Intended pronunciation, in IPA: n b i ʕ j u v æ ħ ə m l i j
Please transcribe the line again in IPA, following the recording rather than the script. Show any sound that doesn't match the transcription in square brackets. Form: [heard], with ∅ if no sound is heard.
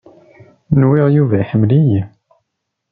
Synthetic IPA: n [w] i [ʁ] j u v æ ħ ə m l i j